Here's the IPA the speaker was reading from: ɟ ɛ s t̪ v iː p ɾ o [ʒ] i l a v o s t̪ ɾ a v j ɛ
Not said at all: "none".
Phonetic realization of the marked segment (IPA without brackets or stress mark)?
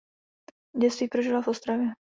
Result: ʒ